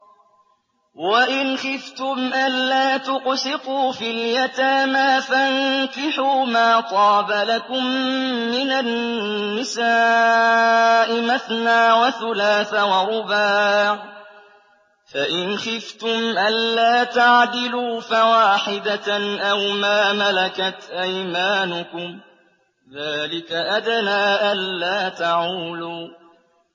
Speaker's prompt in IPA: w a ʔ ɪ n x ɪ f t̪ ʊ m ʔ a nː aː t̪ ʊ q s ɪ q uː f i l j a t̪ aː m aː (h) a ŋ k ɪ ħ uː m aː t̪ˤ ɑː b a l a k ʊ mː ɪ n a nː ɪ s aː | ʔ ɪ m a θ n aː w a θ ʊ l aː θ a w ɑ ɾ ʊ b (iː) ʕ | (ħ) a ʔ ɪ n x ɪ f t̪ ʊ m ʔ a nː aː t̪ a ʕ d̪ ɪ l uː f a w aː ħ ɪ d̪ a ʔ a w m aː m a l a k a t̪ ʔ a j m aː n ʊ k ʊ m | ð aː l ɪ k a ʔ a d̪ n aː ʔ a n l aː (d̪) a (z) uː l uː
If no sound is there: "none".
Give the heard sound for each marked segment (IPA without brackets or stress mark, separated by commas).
f, aː, f, t̪, ʕ